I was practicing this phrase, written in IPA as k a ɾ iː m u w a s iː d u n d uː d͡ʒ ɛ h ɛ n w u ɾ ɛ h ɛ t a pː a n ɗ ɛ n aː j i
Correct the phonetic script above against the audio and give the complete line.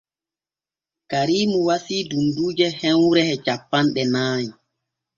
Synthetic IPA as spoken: k a ɾ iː m u w a s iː d u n d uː d͡ʒ ɛ h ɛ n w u ɾ ɛ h ɛ t͡ʃ a pː a n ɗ ɛ n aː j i